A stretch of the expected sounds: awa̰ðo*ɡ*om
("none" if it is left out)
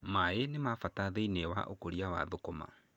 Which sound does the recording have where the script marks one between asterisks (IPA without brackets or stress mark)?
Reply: k